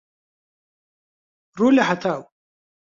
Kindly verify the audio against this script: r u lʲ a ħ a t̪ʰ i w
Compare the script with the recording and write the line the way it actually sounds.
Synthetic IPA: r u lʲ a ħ a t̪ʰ a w